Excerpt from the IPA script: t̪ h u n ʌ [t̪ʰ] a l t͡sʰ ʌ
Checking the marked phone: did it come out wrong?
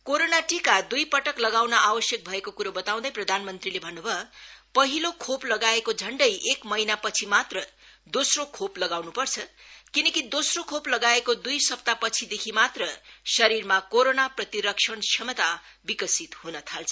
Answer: no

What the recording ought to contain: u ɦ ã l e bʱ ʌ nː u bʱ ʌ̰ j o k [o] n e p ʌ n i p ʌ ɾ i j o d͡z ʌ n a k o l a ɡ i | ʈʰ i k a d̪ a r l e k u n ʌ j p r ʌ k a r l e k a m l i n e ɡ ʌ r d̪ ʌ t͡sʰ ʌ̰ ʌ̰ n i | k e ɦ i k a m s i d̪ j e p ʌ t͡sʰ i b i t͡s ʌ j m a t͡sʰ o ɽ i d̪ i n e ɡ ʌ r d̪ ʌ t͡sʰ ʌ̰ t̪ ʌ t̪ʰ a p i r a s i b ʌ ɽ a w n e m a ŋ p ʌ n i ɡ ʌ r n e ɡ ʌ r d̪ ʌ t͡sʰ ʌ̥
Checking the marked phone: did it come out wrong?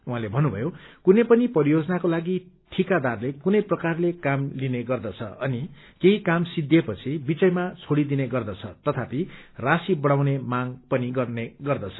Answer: yes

